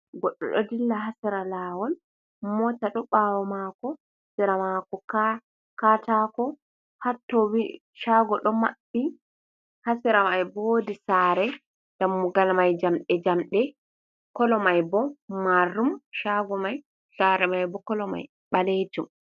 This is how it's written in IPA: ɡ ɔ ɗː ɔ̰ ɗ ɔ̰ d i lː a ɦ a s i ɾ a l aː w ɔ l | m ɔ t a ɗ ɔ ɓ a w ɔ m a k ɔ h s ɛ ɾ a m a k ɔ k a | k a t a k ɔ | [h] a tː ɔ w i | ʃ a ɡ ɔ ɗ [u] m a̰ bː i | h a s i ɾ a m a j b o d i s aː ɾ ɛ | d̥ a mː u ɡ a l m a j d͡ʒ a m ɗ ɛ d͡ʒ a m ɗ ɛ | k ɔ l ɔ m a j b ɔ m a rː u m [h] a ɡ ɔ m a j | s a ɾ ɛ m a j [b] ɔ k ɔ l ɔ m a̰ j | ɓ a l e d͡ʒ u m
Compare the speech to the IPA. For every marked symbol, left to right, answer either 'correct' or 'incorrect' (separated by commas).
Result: correct, incorrect, incorrect, correct